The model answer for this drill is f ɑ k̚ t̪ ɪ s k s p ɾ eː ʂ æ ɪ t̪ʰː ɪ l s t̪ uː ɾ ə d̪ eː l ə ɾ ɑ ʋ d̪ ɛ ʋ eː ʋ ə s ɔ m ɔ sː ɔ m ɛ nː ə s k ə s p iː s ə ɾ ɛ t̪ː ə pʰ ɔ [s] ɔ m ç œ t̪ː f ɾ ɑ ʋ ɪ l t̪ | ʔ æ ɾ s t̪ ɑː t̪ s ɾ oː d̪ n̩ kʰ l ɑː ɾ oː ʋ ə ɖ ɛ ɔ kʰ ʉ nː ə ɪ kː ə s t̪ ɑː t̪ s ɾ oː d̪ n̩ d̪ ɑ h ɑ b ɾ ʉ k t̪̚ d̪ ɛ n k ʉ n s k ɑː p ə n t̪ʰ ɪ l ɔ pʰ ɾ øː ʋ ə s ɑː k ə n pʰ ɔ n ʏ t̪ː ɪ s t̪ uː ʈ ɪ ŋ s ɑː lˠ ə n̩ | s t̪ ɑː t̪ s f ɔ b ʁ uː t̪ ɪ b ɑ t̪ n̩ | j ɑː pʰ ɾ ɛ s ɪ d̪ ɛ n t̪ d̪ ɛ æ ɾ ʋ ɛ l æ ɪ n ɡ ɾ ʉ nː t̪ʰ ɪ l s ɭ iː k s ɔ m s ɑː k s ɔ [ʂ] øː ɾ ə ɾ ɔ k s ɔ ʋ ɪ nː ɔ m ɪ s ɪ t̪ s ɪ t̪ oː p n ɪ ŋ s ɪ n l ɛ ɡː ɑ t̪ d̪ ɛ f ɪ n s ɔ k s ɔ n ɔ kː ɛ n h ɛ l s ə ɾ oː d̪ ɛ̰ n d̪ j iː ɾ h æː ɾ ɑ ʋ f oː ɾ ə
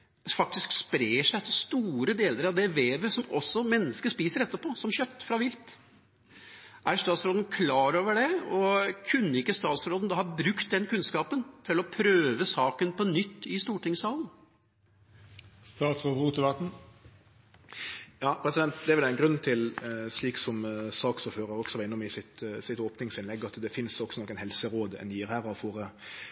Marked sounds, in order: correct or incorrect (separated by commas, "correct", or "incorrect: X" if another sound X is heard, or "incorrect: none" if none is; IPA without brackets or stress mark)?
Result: correct, incorrect: f